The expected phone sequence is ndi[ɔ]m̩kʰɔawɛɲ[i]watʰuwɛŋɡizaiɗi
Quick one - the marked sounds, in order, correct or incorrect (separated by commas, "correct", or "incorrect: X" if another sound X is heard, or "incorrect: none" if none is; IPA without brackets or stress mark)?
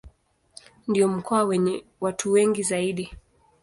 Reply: correct, incorrect: ɛ